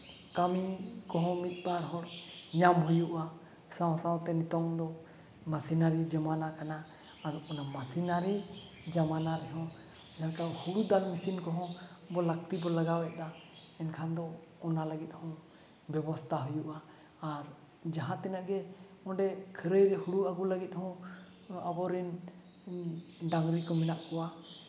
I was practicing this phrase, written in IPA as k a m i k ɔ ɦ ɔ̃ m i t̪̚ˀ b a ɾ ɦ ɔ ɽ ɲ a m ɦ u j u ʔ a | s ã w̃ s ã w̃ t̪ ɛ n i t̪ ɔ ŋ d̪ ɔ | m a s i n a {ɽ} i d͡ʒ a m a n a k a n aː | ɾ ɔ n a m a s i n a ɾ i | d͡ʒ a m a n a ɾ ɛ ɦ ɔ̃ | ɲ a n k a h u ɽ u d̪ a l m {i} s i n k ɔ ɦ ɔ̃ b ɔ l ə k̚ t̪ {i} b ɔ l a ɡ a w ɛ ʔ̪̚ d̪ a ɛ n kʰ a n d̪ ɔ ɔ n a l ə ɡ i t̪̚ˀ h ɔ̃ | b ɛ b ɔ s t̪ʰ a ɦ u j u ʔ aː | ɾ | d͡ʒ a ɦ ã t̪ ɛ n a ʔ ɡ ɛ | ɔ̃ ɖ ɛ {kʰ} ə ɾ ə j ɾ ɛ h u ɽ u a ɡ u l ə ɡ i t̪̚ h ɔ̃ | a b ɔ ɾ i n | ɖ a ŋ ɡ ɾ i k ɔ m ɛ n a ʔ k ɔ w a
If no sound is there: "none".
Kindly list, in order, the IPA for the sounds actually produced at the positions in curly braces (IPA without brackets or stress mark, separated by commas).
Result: ɾ, i, i, kʰ